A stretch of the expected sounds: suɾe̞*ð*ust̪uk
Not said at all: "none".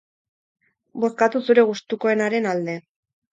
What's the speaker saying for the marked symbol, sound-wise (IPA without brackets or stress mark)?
ɣ